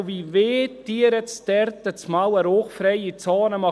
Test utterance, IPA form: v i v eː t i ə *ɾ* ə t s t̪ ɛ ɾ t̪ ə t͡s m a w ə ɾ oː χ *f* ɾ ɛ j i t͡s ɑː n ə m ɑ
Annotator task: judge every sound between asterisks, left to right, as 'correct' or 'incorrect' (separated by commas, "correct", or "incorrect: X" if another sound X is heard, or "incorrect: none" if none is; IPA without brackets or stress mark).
correct, correct